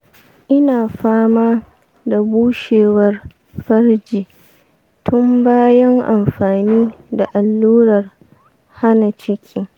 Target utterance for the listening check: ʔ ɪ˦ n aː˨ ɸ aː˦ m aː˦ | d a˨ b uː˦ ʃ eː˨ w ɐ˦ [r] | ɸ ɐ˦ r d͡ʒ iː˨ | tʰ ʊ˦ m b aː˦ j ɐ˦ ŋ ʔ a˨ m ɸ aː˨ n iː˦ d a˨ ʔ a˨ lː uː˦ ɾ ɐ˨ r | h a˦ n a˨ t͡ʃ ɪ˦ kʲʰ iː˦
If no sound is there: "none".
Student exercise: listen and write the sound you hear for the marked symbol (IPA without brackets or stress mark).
r